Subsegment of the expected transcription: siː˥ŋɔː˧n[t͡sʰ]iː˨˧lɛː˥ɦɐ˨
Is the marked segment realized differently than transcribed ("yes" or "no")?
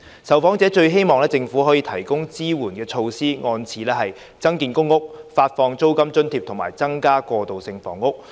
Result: no